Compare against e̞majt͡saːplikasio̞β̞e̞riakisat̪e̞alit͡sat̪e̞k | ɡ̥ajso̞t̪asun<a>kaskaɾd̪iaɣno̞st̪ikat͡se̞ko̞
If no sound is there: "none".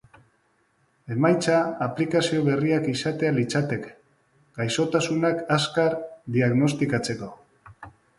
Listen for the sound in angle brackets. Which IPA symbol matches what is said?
a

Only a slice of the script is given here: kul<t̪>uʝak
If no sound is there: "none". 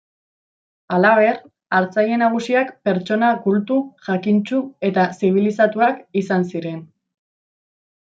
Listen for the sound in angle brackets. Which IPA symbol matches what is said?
t̪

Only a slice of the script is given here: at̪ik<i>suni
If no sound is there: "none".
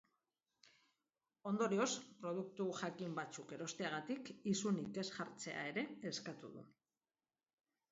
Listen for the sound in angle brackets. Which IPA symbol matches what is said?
i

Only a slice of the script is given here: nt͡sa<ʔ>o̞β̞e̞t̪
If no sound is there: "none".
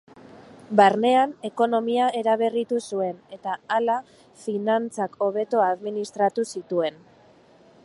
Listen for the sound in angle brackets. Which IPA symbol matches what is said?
k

